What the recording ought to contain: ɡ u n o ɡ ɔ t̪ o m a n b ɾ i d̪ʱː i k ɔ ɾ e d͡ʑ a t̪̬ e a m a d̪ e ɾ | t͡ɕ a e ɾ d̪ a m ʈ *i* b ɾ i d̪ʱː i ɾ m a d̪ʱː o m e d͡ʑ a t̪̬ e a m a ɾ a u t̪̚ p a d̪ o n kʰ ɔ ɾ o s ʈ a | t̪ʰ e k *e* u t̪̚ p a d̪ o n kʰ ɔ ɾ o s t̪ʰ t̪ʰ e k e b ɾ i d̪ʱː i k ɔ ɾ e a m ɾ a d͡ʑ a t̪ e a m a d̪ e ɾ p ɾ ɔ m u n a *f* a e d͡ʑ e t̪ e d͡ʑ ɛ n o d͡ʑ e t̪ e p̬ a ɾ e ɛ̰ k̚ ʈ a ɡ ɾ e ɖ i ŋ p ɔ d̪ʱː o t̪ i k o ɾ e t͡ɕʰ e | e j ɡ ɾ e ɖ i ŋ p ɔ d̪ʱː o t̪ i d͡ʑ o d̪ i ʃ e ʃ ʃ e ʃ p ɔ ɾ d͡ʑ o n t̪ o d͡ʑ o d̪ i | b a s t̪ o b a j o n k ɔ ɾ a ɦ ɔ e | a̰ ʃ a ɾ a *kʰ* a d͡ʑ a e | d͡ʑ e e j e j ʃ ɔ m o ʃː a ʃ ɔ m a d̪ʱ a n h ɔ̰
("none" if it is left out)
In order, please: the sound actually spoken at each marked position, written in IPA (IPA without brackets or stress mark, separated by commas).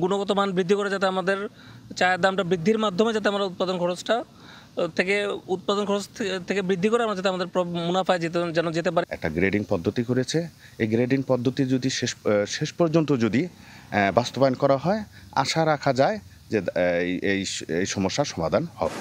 a, e, f, kʰ